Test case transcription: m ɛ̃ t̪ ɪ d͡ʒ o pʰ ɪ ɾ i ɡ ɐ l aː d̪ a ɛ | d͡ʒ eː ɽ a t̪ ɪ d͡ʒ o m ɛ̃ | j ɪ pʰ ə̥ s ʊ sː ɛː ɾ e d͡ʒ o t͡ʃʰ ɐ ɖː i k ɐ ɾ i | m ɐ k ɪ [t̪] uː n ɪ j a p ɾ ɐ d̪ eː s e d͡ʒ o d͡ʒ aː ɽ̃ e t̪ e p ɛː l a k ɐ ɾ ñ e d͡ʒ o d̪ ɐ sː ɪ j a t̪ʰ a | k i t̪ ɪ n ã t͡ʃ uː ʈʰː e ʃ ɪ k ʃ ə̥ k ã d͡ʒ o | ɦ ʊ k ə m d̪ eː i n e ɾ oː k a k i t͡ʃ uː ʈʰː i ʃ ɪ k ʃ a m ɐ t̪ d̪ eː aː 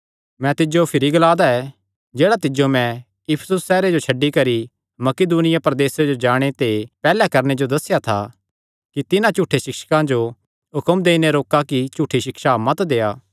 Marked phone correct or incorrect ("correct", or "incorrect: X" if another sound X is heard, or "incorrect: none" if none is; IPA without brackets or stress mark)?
incorrect: d̪